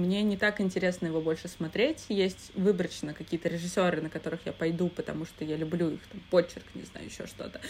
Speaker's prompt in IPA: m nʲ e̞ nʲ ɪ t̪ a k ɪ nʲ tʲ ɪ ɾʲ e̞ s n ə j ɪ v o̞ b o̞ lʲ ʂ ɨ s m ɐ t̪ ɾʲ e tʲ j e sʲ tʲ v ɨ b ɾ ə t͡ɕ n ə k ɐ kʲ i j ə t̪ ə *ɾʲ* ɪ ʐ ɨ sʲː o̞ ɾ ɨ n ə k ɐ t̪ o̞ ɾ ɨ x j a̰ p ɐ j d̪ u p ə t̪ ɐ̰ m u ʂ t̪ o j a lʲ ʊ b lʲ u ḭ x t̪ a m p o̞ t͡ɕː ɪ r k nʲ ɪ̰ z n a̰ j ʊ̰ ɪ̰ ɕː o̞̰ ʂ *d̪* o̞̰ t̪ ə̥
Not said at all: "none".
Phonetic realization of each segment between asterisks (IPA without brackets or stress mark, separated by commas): ɾʲ, t̪